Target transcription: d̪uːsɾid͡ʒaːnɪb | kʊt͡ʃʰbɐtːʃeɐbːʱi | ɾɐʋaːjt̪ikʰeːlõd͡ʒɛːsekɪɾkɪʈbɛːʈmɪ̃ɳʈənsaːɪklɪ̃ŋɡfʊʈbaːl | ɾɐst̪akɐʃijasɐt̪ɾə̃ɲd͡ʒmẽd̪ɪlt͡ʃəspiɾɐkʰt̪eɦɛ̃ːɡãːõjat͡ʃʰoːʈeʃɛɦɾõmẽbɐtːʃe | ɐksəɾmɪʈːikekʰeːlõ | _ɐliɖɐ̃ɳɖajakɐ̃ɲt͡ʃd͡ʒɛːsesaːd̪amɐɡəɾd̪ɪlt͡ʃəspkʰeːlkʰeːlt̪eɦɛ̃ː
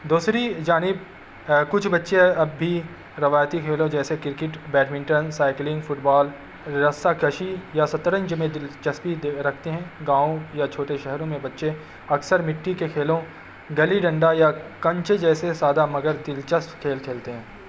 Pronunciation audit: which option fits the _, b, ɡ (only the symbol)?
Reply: ɡ